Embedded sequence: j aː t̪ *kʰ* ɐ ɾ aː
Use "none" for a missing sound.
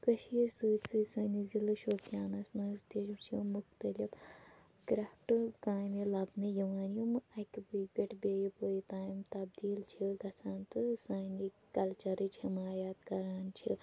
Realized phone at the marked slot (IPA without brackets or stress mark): k